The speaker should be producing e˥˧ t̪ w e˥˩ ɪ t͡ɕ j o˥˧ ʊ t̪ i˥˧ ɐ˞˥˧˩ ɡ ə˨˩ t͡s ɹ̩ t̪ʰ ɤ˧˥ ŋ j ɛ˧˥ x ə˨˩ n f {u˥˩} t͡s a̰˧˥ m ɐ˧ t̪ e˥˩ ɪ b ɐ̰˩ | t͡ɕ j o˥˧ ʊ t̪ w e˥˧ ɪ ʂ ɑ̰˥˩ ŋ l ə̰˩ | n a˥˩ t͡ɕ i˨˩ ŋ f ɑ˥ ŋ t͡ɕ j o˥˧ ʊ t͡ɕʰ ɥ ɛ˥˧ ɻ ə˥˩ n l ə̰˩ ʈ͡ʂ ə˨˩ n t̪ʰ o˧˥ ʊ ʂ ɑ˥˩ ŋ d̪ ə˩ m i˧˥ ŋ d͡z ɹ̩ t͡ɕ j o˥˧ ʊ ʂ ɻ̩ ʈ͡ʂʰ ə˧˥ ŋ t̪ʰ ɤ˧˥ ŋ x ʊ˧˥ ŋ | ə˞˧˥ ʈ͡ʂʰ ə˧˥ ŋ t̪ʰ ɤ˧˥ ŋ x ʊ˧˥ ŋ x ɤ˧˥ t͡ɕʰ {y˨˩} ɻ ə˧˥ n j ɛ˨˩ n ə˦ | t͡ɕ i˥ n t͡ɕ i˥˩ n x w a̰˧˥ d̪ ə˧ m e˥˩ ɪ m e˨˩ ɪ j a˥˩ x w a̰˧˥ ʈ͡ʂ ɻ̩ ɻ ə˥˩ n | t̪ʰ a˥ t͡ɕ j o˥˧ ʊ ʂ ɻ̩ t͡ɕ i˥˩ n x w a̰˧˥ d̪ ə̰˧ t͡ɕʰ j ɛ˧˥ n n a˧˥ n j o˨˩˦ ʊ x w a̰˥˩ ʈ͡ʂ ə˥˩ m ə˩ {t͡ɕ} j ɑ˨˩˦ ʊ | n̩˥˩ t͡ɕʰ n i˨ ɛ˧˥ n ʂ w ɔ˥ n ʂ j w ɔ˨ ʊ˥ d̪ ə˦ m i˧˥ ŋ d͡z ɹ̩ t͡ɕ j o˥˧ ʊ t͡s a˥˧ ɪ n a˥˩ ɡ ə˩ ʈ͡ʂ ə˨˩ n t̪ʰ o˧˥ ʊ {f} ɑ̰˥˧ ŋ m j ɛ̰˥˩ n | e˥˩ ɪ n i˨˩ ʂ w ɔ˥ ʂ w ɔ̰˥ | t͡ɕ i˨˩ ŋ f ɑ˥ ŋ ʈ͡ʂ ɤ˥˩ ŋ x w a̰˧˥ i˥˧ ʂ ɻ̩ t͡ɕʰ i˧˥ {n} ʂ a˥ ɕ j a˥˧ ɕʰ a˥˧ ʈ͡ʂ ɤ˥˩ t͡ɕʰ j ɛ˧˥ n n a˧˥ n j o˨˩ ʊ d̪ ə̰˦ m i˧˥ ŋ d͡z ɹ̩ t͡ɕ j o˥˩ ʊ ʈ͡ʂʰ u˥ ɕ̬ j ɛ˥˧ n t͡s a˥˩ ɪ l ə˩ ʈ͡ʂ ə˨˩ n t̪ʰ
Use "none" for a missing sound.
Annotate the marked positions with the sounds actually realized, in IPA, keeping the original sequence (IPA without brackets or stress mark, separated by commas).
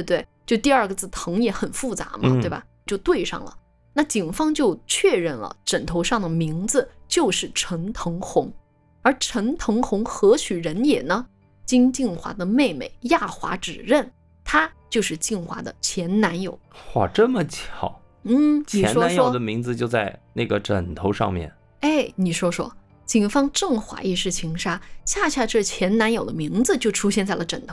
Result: u˥˩, y˨˩, t͡ɕʰ, ʂ, ŋ